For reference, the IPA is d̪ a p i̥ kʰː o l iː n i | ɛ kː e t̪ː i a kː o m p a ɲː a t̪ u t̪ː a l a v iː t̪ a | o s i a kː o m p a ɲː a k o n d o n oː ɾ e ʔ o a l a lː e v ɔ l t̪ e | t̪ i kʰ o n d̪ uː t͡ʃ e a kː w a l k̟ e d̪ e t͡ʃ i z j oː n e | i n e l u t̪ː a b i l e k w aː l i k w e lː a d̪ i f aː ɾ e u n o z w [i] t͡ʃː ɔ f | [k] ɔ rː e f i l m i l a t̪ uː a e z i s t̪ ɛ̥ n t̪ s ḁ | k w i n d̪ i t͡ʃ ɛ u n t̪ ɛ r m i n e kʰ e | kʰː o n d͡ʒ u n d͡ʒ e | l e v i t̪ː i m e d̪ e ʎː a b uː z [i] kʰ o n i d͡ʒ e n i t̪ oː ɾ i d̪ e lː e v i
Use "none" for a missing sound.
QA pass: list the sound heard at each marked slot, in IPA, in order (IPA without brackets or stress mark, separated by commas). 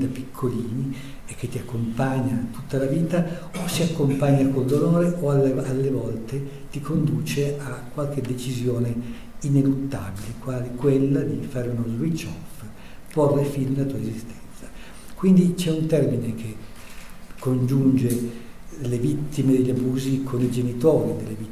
i, p, i